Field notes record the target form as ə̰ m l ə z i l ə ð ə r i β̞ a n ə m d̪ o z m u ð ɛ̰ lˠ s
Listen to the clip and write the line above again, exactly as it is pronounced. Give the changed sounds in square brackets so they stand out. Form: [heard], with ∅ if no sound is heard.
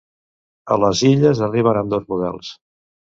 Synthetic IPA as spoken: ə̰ [∅] l ə z i [ʎ] ə [z] ə r i β̞ [ə] n ə m d̪ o z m u ð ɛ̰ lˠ s